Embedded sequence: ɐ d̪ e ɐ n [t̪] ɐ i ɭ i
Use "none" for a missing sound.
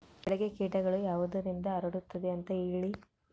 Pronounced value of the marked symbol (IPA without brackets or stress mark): t̪